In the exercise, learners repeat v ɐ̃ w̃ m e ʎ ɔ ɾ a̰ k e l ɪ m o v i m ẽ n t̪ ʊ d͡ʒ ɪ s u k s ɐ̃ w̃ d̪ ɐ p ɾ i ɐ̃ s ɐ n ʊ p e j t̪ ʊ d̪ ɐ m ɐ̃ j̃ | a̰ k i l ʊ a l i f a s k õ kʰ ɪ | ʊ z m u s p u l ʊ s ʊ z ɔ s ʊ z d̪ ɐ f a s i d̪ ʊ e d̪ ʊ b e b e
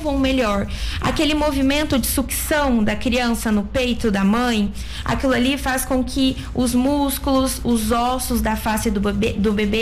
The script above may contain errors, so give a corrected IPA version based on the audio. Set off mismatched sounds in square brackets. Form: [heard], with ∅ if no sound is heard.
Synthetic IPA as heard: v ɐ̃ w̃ m e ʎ ɔ ɾ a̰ k e l ɪ m o v i m ẽ n t̪ ʊ d͡ʒ ɪ s u k s ɐ̃ w̃ d̪ ɐ [k] ɾ i ɐ̃ s ɐ n ʊ p e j t̪ ʊ d̪ ɐ m ɐ̃ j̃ | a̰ k i l ʊ a l i f a s k õ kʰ ɪ | ʊ z m u s [k] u l ʊ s ʊ z ɔ s ʊ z d̪ ɐ f a s [ɪ] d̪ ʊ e d̪ ʊ b e b e